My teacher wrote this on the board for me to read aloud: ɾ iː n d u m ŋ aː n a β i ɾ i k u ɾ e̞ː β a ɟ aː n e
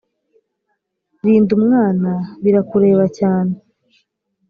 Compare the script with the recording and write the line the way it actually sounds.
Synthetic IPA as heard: ɾ iː n d u m ŋ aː n a β i ɾ a k u ɾ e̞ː β a c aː n e